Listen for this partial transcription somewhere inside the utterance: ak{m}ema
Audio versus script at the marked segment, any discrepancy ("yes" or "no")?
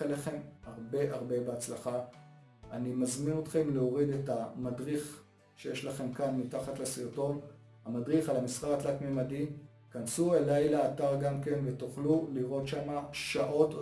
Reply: no